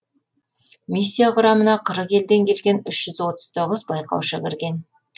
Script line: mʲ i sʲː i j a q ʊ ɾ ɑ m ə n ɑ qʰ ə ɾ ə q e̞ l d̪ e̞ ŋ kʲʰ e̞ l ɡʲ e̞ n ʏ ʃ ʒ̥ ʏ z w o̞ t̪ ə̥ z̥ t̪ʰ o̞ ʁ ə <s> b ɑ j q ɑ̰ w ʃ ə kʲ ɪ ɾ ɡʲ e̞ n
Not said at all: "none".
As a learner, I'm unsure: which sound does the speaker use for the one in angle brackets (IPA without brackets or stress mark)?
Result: z